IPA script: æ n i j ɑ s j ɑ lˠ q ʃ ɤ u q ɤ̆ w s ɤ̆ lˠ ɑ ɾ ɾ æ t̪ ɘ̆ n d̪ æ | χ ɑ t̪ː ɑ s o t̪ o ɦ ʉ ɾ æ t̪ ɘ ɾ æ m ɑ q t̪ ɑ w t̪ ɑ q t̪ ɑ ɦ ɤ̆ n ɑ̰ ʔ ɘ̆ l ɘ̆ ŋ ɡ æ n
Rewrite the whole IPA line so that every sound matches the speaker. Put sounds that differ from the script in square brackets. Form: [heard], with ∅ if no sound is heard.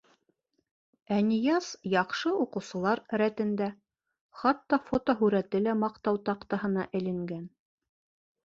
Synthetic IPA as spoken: æ n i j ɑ s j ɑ [∅] q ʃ ɤ u q ɤ̆ w s ɤ̆ lˠ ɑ ɾ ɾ æ t̪ ɘ̆ n d̪ æ | χ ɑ t̪ː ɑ [f] o t̪ o ɦ ʉ ɾ æ t̪ ɘ [l] æ m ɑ q t̪ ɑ w t̪ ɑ q t̪ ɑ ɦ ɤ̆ n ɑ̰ ʔ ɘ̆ l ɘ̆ ŋ ɡ æ n